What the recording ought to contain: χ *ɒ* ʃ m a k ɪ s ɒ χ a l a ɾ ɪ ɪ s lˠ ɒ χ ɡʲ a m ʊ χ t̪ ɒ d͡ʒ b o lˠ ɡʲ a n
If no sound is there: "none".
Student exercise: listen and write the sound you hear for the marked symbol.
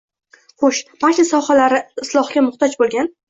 o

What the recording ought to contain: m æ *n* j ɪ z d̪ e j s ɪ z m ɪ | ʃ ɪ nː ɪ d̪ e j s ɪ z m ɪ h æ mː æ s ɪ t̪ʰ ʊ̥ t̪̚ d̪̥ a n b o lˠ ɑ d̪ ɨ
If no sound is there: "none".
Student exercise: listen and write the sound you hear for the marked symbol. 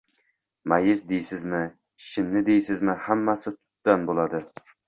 none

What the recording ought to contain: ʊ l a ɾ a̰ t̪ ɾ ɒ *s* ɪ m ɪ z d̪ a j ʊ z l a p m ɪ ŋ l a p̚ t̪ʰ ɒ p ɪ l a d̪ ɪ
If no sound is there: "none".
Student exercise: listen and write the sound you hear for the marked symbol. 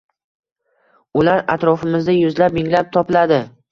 f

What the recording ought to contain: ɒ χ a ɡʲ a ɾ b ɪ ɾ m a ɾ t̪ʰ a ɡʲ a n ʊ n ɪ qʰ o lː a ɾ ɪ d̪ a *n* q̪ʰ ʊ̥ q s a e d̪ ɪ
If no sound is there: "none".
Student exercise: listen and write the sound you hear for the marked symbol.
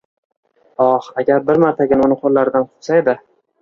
n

